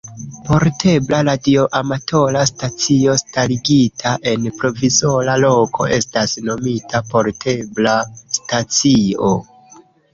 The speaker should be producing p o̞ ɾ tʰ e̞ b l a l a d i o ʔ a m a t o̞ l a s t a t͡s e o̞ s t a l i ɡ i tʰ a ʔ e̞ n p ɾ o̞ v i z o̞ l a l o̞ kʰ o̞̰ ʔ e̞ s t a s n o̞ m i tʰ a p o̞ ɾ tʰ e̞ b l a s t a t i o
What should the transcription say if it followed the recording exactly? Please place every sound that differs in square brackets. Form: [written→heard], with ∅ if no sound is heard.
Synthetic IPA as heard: p o̞ ɾ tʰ e̞ b l a l a d i o ʔ a m a t o̞ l a s t a t͡s [e→i] o̞ s t a l i ɡ i tʰ a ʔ e̞ n p ɾ o̞ v i z o̞ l a l o̞ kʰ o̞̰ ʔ e̞ s t a s n o̞ m i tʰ a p o̞ ɾ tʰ e̞ b l a s t a [t→t͡s] i o